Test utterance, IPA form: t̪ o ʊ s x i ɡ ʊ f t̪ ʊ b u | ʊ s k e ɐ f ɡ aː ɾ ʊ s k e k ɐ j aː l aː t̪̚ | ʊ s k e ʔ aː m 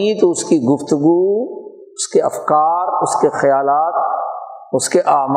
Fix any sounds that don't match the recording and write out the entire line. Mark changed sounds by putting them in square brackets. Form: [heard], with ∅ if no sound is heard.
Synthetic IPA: t̪ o ʊ s [k] i ɡ ʊ f t̪ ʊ [ɡ] u | ʊ s k e ɐ f [k] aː ɾ ʊ s k e [x] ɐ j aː l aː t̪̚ | ʊ s k e ʔ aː m